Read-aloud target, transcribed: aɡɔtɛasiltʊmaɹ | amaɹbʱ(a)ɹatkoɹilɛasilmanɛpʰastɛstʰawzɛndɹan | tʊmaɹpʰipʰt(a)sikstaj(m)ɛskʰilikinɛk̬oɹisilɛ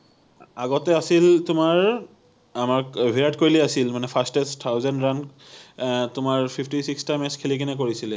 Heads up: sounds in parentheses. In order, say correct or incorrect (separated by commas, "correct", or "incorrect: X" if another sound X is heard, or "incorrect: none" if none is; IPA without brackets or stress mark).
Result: incorrect: i, incorrect: i, correct